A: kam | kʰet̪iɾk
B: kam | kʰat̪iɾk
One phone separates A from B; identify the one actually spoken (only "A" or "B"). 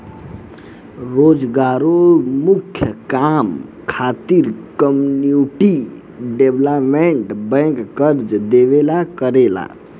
B